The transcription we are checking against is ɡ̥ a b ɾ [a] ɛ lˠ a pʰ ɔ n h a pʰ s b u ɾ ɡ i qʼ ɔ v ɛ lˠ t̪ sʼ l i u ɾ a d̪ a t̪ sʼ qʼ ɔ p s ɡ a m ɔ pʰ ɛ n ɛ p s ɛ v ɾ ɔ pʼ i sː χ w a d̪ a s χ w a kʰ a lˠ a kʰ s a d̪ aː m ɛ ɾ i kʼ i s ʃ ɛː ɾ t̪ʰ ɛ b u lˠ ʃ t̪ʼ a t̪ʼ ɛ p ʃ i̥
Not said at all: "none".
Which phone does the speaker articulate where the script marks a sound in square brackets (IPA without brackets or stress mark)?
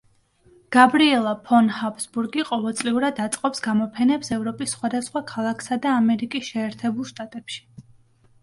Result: i